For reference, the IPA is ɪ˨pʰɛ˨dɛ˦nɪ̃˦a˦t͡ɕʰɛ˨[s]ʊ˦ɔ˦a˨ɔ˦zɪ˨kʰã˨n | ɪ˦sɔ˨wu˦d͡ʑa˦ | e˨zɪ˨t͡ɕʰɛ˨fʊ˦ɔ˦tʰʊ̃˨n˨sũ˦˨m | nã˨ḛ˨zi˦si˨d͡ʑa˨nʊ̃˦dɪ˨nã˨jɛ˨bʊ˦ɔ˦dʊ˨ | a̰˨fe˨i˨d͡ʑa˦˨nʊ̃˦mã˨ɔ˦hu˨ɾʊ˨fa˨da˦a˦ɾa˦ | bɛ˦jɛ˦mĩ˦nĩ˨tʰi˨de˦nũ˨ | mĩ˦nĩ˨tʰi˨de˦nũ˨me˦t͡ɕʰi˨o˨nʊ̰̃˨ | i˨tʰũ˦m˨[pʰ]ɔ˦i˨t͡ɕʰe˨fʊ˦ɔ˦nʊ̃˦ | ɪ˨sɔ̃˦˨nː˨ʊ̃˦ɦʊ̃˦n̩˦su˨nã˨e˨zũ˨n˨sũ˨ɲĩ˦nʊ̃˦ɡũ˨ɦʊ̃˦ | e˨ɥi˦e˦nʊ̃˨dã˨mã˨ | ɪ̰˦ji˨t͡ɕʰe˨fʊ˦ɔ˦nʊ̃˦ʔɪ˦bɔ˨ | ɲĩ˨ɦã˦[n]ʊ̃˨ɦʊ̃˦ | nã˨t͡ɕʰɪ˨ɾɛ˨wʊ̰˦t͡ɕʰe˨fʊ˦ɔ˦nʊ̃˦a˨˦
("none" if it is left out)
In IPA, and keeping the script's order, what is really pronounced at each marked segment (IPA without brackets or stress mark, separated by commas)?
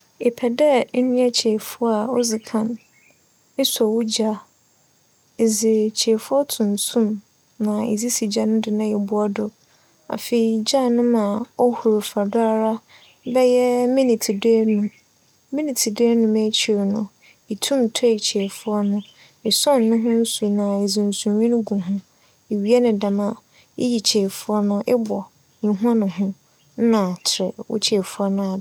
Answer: f, tʰ, n